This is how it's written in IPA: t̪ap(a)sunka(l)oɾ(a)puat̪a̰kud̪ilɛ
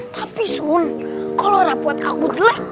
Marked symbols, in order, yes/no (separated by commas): no, yes, yes